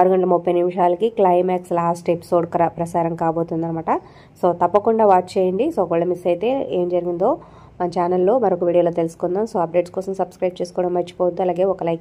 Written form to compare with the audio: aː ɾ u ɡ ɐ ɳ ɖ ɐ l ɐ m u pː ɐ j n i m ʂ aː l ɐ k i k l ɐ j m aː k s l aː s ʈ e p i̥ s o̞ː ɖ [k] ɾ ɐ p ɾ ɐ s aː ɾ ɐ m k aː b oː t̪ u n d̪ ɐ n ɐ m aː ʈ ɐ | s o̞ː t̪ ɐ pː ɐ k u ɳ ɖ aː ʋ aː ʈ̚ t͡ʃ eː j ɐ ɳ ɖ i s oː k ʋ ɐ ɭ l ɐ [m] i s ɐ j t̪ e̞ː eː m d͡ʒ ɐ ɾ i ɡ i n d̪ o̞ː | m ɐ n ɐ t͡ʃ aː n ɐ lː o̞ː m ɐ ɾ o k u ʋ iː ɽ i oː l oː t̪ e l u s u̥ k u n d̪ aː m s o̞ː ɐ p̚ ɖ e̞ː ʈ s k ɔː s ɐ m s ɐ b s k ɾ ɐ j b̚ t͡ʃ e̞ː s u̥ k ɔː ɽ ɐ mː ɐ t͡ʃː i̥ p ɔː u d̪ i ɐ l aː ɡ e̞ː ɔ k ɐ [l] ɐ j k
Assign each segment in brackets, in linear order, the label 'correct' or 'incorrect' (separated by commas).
correct, correct, correct